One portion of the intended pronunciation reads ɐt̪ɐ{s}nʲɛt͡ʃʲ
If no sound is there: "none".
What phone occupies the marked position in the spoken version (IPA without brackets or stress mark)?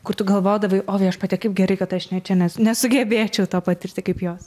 ʃ